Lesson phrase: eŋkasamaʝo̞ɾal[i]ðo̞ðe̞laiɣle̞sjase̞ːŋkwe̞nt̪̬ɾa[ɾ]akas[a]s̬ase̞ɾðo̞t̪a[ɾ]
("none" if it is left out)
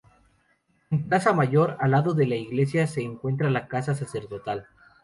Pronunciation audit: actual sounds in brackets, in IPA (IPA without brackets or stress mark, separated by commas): a, l, a, l